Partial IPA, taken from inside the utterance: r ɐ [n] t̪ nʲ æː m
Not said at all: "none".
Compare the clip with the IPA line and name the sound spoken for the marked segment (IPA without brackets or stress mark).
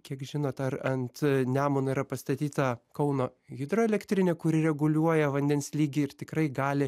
n